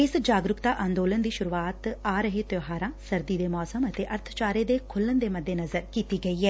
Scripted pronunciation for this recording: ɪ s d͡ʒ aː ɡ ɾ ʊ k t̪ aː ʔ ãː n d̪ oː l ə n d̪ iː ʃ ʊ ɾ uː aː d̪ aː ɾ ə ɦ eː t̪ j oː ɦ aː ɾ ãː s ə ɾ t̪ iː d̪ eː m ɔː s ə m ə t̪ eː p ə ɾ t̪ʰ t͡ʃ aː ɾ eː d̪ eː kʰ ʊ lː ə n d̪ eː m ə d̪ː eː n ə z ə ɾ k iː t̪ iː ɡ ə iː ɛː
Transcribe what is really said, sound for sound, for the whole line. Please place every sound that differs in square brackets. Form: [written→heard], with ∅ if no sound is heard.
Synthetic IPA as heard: ɪ s d͡ʒ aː ɡ ɾ ʊ k t̪ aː ʔ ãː n d̪ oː l ə n d̪ iː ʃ ʊ ɾ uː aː [d̪→t̪] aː ɾ ə ɦ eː t̪ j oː ɦ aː ɾ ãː s ə ɾ [t̪→d̪] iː d̪ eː m ɔː s ə m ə t̪ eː [p→ʔ] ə ɾ t̪ʰ t͡ʃ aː ɾ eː d̪ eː kʰ ʊ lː ə n d̪ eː m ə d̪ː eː n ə z ə ɾ k iː t̪ iː ɡ ə iː ɛː